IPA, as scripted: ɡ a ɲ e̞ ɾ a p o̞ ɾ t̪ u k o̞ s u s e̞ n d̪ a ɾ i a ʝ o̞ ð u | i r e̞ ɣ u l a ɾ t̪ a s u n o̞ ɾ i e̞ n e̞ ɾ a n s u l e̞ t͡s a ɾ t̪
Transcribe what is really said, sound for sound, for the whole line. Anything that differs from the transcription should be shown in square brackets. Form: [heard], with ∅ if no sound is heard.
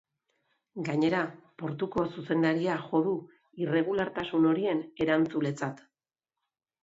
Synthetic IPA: ɡ a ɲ e̞ ɾ a p o̞ ɾ t̪ u k o̞ s u s e̞ n d̪ a ɾ i a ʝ o̞ ð u | i r e̞ ɣ u l a ɾ t̪ a s u n o̞ ɾ i e̞ n e̞ ɾ a n [t͡s] u l e̞ t͡s a [∅] t̪